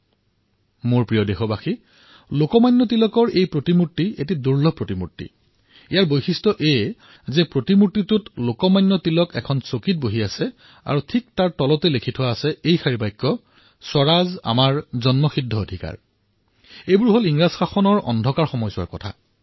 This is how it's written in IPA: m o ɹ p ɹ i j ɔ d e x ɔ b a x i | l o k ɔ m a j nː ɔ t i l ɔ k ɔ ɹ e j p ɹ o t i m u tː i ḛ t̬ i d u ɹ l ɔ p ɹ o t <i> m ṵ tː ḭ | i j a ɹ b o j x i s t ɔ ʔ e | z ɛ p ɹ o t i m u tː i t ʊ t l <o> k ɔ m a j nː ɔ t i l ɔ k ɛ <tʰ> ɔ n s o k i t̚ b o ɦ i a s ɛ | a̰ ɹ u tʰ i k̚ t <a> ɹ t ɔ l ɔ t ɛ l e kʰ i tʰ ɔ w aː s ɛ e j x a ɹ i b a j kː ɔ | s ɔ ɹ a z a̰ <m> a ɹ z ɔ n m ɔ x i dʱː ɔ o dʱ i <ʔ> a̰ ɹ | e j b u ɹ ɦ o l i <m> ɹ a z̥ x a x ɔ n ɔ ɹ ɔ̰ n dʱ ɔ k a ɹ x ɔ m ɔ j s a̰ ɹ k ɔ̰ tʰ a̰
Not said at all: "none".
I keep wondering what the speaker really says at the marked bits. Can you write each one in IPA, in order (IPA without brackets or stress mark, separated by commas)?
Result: i, o, kʰ, a, m, k, ŋ